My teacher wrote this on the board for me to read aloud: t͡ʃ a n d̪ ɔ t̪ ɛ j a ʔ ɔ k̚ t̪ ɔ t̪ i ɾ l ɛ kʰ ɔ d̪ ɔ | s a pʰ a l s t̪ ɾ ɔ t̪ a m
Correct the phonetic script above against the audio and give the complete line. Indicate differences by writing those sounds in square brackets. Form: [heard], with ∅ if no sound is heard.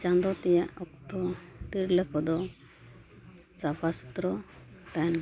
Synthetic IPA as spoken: t͡ʃ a n d̪ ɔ t̪ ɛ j a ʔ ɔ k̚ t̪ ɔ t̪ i ɾ l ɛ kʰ ɔ d̪ ɔ | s a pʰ a [∅] s t̪ ɾ ɔ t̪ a [n]